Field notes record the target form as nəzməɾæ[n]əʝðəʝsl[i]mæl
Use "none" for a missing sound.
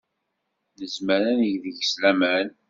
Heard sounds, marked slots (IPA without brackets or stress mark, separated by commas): n, æ